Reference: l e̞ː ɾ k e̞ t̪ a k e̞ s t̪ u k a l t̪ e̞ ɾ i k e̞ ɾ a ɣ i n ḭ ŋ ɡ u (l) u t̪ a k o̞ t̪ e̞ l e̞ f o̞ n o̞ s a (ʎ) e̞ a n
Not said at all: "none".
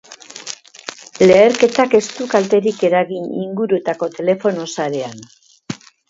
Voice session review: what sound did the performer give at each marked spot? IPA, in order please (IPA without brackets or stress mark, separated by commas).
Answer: ɾ, ɾ